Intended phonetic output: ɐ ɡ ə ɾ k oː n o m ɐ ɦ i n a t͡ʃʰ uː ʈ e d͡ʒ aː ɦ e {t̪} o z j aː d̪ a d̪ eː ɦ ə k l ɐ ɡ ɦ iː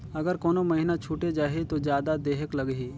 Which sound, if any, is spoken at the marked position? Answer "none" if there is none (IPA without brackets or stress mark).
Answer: t̪